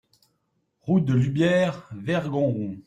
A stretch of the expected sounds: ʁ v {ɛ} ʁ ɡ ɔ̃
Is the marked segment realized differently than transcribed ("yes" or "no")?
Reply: no